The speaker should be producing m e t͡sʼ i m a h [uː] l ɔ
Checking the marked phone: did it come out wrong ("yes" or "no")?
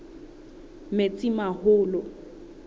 yes